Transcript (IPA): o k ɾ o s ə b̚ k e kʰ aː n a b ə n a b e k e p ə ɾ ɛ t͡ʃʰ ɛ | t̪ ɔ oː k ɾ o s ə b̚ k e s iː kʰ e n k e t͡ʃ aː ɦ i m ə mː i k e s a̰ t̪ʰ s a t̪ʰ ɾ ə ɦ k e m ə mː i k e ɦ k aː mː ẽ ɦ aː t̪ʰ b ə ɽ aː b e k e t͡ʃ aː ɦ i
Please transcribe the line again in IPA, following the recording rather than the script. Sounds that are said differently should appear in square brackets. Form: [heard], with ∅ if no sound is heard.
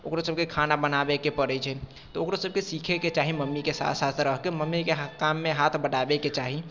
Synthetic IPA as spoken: o k ɾ o s ə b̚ k e kʰ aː n a b ə n a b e k e p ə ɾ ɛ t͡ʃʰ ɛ | t̪ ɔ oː k ɾ o s ə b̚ k e s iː kʰ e [∅] k e t͡ʃ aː ɦ i m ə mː i k e s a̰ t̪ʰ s a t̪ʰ ɾ ə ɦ k e m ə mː i k e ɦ k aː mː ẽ ɦ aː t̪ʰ b ə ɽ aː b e k e t͡ʃ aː ɦ i